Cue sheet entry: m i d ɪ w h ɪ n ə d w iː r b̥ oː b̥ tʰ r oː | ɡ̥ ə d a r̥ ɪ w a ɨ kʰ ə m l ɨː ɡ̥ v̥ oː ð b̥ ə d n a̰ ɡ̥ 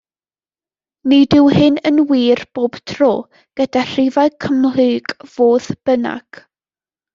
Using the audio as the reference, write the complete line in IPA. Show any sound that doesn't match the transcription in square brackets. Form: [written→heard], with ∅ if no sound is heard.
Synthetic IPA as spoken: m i d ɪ w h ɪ n ə [d→n] w iː r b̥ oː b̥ tʰ r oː | ɡ̥ ə d a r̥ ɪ [w→v] a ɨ kʰ ə m l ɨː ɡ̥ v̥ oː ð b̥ ə [d→∅] n a̰ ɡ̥